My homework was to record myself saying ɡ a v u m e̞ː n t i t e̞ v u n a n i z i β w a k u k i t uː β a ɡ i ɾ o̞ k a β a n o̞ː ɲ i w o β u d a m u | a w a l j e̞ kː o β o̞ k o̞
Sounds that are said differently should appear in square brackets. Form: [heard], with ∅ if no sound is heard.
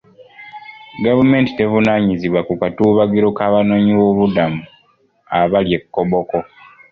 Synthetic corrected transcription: ɡ a v u m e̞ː n t i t e̞ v u n a [ɲ] i z i β w a k u k [a] t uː β a ɡ i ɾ o̞ k a β a n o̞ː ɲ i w o β u d a m u | a [β] a l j e̞ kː o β o̞ k o̞